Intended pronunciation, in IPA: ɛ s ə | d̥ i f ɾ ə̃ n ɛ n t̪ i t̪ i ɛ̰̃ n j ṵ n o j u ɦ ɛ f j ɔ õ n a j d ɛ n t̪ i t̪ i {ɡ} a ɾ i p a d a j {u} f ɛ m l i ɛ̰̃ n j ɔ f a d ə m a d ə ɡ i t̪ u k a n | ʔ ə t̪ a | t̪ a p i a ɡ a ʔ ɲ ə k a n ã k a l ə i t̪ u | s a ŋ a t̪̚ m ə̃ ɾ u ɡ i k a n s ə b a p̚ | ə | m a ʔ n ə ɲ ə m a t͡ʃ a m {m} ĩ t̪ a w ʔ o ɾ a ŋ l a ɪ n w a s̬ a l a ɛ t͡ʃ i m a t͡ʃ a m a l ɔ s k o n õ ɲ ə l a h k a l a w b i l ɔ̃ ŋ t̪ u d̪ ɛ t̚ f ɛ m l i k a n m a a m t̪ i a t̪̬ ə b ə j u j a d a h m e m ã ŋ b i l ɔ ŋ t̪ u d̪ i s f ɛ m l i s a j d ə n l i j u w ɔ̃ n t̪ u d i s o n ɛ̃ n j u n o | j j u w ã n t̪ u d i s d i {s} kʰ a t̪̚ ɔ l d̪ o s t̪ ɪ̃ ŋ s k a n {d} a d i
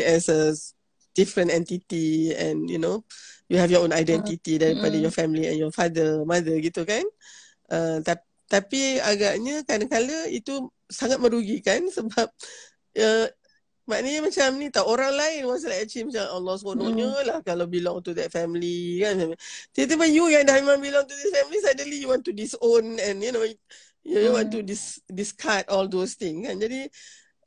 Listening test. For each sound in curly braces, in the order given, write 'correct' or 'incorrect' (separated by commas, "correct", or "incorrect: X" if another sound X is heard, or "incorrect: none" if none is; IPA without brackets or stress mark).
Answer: incorrect: d, incorrect: ɔ, incorrect: n, correct, incorrect: d͡ʒ